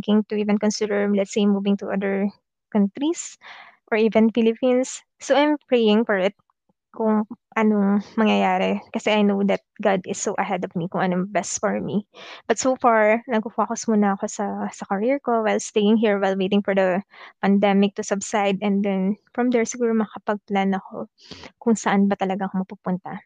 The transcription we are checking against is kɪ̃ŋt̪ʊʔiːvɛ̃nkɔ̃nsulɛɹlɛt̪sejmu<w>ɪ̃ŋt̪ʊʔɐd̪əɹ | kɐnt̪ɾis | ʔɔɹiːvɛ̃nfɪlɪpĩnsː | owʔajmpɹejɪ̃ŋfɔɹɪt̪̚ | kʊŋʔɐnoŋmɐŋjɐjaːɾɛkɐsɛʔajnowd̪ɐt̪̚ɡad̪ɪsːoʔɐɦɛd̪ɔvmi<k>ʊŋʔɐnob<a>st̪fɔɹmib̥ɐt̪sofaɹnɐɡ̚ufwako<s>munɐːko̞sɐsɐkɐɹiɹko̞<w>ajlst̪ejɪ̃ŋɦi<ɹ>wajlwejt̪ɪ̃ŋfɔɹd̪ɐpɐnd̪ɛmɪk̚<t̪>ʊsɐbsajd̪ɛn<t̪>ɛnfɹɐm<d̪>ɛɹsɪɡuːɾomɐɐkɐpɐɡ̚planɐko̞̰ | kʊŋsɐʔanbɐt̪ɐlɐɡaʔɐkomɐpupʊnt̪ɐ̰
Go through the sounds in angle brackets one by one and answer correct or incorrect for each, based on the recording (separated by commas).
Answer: incorrect, correct, incorrect, correct, correct, correct, correct, incorrect, correct